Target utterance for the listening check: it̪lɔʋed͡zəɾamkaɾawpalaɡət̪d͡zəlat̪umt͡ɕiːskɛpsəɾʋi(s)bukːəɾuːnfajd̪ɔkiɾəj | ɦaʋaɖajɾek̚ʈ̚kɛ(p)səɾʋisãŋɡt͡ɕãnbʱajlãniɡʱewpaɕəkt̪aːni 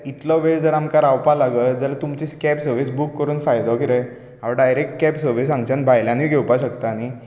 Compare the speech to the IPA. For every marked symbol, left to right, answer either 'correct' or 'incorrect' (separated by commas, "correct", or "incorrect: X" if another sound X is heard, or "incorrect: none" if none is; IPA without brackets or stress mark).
correct, correct